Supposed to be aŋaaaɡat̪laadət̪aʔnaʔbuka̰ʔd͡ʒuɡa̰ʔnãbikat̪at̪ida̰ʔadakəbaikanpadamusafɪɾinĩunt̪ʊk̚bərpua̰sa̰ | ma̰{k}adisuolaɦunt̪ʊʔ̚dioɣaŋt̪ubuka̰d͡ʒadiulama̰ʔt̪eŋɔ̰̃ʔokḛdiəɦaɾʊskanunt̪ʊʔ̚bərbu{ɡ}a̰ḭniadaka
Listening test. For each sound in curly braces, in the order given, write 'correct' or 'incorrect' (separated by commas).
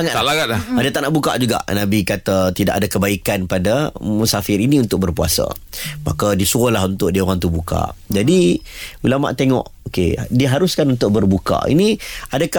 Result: correct, incorrect